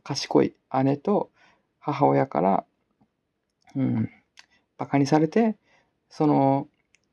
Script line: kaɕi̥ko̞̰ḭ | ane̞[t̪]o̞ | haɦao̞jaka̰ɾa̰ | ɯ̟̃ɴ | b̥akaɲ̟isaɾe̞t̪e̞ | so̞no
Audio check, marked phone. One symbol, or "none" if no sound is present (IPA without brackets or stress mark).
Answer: t̪